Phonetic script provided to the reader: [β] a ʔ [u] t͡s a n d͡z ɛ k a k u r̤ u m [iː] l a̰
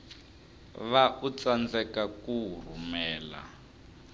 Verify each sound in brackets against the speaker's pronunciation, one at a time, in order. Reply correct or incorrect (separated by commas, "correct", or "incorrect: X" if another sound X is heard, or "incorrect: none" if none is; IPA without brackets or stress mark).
correct, correct, incorrect: ɛː